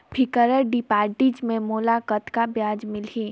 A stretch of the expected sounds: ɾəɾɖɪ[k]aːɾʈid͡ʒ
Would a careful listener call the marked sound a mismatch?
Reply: yes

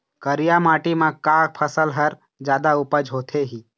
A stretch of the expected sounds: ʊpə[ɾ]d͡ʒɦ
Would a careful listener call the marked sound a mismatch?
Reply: yes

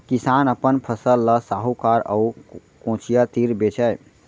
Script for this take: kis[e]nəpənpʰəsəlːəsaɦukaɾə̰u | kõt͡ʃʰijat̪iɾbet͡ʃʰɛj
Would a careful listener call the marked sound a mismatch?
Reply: yes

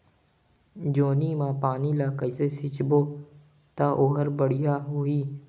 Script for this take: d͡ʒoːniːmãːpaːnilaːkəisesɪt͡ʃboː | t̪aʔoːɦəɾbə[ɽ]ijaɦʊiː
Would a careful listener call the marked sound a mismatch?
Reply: no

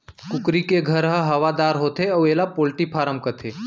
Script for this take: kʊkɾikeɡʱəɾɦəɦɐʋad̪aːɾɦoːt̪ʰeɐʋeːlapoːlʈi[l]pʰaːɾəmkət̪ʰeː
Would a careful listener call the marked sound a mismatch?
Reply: yes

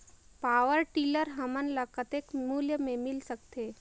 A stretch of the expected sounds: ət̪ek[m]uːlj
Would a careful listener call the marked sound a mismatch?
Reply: no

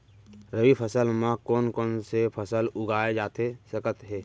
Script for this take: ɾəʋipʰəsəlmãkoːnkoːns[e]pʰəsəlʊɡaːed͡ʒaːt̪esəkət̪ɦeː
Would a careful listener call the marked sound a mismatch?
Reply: no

